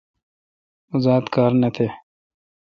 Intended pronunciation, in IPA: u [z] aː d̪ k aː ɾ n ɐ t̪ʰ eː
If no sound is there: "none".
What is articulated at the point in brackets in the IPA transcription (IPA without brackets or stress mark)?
z